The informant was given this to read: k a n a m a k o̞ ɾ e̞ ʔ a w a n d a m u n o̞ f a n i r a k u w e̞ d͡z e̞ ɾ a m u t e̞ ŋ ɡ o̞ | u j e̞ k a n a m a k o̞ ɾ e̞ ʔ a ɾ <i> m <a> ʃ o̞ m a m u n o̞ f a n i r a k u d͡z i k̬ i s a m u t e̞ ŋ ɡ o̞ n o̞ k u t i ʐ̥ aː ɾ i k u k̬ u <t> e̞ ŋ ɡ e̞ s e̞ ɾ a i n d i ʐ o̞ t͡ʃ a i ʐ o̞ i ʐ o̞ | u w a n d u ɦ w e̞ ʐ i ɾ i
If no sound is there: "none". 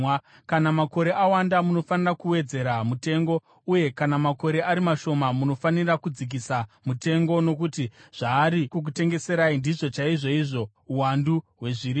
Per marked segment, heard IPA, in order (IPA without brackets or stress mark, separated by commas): i, a, t